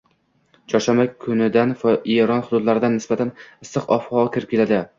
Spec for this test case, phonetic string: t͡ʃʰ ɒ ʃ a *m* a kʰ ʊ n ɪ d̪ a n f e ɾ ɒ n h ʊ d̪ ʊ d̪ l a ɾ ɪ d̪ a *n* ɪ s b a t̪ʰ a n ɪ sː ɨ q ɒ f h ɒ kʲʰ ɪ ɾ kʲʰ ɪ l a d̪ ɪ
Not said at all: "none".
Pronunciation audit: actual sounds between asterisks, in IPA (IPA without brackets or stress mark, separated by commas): m, nː